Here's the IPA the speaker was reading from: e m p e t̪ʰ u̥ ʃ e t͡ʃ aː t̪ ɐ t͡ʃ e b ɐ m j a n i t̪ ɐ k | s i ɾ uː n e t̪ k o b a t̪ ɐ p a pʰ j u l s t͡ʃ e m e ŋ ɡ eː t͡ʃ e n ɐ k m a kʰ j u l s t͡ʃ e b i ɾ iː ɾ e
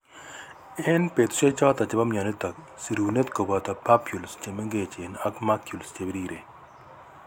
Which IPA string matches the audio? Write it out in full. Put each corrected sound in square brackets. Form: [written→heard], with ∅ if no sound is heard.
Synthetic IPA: e [m→n] p e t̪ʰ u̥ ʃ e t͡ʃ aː t̪ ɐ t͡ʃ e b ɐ m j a n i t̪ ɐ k | s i ɾ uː n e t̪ k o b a t̪ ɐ p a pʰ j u l s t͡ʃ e m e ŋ ɡ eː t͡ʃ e n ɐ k m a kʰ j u l s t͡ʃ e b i ɾ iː ɾ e

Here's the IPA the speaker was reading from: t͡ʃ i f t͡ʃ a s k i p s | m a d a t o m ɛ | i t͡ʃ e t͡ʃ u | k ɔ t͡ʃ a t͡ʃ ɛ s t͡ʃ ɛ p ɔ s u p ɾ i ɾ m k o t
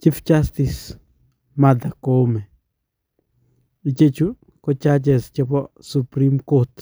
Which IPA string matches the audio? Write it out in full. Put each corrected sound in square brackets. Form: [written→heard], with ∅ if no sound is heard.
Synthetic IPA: t͡ʃ i f t͡ʃ a s [k→t] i [p→∅] s | m a d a [t→k] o m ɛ | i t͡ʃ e t͡ʃ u | k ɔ t͡ʃ a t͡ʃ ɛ s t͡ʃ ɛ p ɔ s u p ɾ i [ɾ→∅] m k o t

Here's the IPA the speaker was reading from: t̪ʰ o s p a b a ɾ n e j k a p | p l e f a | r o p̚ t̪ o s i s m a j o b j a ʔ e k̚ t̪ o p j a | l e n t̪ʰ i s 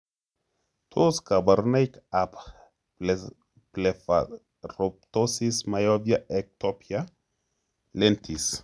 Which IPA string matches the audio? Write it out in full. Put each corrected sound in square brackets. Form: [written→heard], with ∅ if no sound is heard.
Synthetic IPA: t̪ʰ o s [p→k] a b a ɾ n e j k a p | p l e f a | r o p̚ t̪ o s i s m a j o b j a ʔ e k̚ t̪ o p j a | l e n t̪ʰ i s

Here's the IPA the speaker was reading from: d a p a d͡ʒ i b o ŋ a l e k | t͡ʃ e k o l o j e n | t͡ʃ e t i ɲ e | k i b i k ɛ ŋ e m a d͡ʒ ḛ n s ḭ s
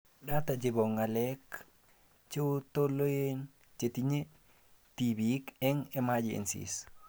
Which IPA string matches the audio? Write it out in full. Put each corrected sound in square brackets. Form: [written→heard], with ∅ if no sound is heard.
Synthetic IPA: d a [p→t] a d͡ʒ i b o ŋ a l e k | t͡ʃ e [k→t] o l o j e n | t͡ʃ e t i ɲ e | [k→t] i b i k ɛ ŋ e m a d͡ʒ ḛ n s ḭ s

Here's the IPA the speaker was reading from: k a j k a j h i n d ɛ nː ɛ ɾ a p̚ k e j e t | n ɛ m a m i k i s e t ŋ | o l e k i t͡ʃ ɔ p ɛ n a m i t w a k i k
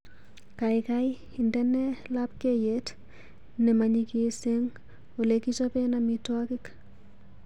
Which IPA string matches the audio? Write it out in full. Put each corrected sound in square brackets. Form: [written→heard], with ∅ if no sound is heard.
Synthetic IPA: k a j k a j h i n d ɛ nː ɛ [ɾ→l] a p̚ k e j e t | n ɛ m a [m→ɲ] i k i s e [t→∅] ŋ | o l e k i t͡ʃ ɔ p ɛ n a m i t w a k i k

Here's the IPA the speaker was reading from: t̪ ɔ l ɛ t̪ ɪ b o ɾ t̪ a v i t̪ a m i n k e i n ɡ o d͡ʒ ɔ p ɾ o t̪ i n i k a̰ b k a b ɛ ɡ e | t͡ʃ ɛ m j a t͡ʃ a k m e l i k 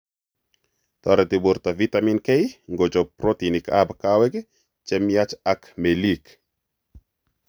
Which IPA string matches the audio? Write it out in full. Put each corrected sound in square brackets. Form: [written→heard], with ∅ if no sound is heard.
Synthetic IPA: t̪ ɔ [l→ɾ] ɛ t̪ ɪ b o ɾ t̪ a v i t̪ a m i n k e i [n→ŋ] ɡ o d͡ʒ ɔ p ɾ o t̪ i n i k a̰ b k a [b→w] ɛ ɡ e | t͡ʃ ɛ m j a t͡ʃ a k m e l i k

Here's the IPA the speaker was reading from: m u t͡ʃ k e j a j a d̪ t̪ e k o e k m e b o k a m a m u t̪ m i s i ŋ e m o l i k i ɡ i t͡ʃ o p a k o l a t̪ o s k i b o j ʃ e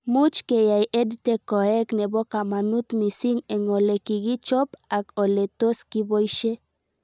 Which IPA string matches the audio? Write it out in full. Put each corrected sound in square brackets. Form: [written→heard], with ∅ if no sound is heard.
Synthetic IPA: m u t͡ʃ k e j a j [a→e] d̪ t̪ e k o e k [m→n] e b o k a m a [m→n] u t̪ m i s i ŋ e [m→ŋ] o l [i→e] k i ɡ i t͡ʃ o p a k o l [a→e] t̪ o s k i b o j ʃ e

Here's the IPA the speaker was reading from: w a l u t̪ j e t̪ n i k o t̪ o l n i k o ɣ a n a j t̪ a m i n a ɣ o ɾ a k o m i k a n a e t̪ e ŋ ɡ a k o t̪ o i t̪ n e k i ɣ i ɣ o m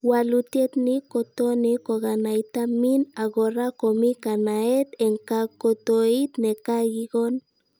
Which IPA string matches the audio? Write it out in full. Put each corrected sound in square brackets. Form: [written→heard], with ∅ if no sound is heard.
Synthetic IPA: w a l u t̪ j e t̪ n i k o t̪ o [l→∅] n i k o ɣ a n a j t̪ a m i n a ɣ o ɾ a k o m i k a n a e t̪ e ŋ [ɡ→k] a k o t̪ o i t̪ n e k [i→a] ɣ i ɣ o [m→n]

